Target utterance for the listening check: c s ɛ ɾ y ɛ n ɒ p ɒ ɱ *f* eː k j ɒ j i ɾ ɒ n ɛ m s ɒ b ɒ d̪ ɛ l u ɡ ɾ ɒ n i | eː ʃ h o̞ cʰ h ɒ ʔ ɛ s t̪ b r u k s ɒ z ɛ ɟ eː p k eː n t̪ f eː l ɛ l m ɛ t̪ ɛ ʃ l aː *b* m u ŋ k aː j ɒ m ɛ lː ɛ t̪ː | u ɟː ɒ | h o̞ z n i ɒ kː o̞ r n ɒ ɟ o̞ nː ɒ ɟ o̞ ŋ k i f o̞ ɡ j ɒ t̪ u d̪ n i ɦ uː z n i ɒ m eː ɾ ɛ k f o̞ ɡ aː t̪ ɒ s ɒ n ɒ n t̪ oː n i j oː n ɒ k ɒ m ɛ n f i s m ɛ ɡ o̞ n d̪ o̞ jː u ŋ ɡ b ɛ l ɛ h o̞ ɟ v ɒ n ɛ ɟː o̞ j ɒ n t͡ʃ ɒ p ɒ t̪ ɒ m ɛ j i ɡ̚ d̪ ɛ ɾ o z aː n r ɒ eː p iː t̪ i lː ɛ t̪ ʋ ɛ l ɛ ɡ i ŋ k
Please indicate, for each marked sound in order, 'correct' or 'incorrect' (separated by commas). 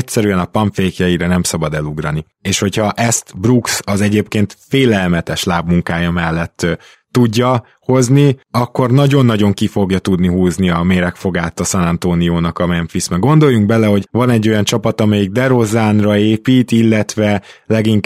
correct, correct